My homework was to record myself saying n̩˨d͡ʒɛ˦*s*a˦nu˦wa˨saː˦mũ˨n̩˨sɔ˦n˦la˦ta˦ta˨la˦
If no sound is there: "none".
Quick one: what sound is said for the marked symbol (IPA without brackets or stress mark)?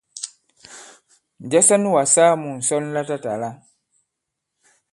s